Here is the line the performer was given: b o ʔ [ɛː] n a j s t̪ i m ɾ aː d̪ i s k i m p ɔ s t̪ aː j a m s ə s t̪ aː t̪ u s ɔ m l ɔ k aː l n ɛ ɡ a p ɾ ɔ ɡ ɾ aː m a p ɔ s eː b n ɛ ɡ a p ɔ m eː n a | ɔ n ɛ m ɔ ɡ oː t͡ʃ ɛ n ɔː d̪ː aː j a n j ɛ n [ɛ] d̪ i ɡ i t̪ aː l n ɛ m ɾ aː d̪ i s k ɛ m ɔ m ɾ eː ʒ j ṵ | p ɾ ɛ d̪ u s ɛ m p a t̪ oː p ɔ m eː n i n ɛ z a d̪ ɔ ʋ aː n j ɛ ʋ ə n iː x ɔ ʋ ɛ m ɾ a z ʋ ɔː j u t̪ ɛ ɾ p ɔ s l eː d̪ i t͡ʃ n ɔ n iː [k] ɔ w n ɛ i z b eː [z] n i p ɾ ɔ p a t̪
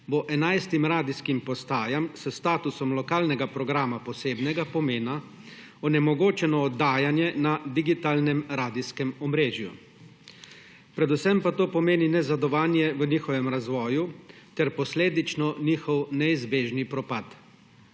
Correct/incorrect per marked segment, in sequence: incorrect: ɛ, incorrect: a, incorrect: x, incorrect: ʒ

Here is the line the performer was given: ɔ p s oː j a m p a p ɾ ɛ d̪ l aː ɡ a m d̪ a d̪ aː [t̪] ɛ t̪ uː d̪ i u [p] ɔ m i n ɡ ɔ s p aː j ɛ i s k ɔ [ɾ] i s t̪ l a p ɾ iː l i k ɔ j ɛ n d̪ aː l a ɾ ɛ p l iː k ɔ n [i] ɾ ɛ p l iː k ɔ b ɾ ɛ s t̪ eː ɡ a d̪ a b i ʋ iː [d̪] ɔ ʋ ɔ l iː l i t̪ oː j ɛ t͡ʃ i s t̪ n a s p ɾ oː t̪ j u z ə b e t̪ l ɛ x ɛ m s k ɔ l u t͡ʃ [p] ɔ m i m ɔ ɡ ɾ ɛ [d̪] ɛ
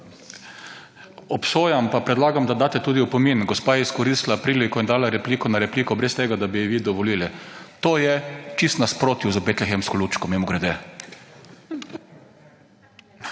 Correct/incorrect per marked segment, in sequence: correct, correct, correct, incorrect: a, correct, incorrect: k, correct

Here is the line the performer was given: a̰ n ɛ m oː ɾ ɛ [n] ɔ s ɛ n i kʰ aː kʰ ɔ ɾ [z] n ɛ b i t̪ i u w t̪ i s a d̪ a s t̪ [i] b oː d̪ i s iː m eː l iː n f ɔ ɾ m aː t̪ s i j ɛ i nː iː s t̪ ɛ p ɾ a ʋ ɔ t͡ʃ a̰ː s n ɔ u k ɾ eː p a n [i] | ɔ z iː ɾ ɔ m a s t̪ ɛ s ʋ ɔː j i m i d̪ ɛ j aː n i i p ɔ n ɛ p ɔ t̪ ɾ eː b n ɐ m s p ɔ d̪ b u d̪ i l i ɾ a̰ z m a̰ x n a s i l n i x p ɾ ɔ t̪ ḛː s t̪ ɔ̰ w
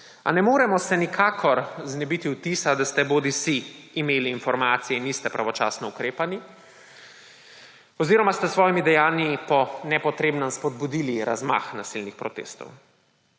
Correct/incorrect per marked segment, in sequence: incorrect: m, correct, incorrect: ɛ, correct

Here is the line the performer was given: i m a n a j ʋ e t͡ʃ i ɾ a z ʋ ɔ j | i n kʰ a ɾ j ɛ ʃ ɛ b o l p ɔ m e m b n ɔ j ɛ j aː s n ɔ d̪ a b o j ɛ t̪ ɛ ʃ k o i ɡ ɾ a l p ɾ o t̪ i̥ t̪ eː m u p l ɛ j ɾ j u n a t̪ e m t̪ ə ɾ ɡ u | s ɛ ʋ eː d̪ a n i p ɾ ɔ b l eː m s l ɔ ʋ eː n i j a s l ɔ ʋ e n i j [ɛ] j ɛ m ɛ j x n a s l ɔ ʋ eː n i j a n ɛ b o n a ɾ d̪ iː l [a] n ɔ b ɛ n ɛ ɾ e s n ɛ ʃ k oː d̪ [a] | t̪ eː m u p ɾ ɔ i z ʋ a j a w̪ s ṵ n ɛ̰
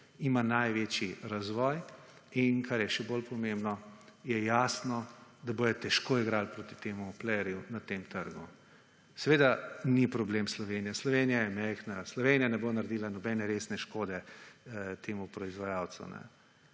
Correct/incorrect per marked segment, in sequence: incorrect: a, correct, incorrect: ɛ

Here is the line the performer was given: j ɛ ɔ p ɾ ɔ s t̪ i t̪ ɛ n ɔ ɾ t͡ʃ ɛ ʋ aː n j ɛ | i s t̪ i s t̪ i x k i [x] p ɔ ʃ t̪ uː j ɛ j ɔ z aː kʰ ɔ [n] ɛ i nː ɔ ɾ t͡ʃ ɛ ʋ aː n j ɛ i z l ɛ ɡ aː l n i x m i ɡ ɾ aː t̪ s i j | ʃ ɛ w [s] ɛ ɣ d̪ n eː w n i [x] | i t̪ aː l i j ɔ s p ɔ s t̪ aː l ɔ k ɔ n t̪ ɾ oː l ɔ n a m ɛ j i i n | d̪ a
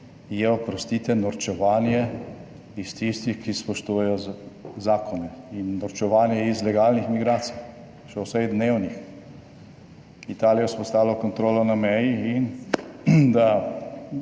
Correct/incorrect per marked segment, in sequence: incorrect: s, correct, correct, correct

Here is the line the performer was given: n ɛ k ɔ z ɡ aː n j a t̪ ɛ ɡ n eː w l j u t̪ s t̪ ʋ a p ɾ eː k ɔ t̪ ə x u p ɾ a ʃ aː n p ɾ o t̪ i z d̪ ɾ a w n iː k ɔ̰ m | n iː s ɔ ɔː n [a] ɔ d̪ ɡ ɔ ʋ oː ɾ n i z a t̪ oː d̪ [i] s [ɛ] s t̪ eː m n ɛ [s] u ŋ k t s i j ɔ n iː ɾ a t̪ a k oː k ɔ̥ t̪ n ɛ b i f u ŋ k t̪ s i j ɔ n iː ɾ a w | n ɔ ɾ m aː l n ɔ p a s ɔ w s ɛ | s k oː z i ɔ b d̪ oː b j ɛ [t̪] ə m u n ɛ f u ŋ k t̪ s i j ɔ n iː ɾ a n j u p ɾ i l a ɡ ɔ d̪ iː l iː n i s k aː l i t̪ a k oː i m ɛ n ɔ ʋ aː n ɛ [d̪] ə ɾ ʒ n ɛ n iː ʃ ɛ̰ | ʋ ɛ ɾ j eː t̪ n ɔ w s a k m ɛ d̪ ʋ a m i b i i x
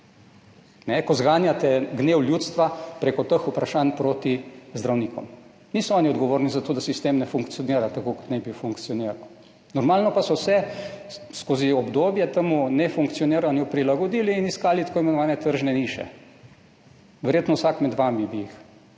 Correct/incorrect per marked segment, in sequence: incorrect: i, incorrect: a, incorrect: i, incorrect: f, correct, incorrect: t̪

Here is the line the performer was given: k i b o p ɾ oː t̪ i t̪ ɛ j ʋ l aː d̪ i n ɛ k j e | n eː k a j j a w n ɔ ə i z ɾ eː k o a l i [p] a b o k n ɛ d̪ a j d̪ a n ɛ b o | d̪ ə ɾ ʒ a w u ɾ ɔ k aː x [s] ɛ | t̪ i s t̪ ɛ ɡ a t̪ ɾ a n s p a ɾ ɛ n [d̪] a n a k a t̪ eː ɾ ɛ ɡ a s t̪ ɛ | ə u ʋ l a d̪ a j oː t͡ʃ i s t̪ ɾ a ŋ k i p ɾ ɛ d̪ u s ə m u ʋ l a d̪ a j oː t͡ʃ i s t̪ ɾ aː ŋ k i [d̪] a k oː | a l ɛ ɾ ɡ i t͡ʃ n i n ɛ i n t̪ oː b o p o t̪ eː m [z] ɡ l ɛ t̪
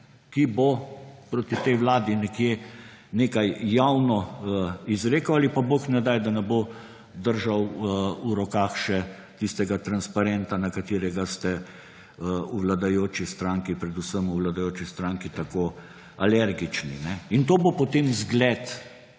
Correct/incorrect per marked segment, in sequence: correct, incorrect: ʃ, incorrect: t̪, incorrect: t̪, correct

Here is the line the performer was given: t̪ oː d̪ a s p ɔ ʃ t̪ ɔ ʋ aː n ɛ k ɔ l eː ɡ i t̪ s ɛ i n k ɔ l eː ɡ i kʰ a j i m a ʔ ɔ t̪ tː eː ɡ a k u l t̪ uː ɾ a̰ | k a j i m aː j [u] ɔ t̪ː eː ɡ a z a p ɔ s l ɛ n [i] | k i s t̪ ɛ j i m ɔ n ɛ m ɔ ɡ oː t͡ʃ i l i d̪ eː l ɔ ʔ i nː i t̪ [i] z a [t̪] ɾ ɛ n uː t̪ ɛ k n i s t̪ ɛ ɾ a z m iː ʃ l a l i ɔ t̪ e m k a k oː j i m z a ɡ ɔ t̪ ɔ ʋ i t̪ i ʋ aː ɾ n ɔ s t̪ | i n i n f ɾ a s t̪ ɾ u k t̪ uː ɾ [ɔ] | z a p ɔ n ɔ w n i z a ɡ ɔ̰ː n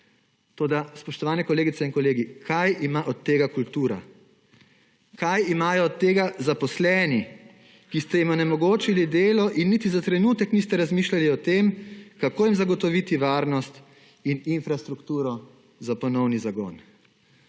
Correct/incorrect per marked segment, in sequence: incorrect: ɔ, correct, correct, correct, correct

